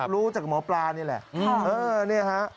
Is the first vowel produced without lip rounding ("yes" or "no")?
no